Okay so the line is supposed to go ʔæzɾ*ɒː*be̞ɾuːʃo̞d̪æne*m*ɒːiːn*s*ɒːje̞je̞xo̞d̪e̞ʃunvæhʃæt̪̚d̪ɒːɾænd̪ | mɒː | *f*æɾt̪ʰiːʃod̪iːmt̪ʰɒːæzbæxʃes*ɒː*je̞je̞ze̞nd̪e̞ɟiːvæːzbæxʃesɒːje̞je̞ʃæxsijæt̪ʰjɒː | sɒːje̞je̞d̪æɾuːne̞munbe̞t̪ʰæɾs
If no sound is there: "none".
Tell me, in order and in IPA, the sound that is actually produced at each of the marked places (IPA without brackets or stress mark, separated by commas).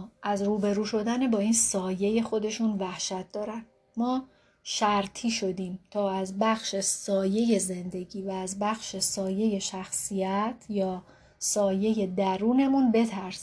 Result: uː, b, s, ʃ, ɒː